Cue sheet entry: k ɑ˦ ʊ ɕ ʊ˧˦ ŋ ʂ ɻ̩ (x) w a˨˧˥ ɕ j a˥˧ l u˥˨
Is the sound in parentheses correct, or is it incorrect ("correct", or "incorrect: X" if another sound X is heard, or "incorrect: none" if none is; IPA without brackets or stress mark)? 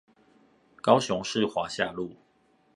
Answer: correct